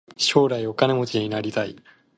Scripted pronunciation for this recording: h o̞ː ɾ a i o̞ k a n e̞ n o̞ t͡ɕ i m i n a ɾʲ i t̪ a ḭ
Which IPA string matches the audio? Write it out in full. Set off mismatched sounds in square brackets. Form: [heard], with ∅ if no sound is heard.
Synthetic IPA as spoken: [ɕ] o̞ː ɾ a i o̞ k a n e̞ [m] o̞ t͡ɕ i [ɲ] i n a ɾʲ i t̪ a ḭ